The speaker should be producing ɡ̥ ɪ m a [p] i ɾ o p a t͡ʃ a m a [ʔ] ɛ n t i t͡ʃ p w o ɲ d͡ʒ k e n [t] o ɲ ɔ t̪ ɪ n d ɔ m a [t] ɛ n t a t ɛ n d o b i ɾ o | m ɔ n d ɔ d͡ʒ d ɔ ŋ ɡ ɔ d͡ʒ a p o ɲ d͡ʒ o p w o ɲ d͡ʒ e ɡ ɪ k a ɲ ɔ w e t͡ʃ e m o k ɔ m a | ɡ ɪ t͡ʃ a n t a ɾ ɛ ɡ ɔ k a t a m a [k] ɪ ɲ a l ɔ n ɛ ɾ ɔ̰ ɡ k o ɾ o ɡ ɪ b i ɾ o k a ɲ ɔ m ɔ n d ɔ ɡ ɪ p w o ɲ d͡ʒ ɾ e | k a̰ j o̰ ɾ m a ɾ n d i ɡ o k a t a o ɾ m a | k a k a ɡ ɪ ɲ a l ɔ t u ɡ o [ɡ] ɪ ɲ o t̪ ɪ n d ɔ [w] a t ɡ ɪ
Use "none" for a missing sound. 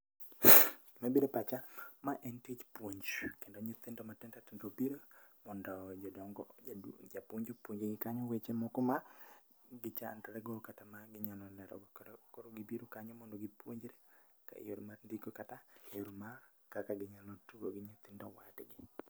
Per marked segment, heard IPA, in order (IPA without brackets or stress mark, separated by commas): b, ʔ, d, t, ɡ, ɡ, w